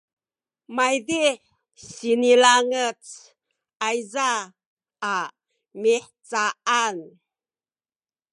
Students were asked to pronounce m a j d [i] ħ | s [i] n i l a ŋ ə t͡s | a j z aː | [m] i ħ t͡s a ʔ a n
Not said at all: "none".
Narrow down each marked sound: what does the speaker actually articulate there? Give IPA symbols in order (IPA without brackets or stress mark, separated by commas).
i, i, m